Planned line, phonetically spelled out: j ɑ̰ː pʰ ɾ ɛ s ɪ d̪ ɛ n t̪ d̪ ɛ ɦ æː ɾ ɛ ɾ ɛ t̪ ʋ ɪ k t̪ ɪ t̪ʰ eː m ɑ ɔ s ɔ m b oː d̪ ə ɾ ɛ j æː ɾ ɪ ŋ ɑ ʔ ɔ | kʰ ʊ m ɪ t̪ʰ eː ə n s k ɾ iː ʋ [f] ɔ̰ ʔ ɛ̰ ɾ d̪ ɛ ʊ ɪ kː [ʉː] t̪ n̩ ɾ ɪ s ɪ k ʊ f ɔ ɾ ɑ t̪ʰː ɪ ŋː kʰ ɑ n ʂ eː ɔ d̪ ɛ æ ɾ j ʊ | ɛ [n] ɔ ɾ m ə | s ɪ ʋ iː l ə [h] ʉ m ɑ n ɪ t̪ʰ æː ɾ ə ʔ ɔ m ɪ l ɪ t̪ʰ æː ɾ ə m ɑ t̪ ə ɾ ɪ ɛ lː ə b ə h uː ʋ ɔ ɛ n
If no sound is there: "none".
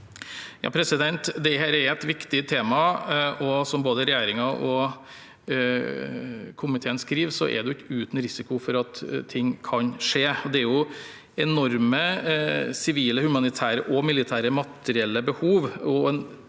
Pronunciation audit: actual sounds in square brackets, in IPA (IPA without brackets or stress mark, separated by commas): s, ʉː, n, h